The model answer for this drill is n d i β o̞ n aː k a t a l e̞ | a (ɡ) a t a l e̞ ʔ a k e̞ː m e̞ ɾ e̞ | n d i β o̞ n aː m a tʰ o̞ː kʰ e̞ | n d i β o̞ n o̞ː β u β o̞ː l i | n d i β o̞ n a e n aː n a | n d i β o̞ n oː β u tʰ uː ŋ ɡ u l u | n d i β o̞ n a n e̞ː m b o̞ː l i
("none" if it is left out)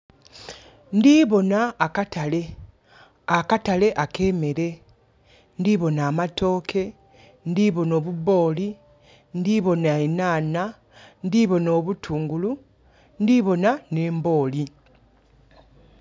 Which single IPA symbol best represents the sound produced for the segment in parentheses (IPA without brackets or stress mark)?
k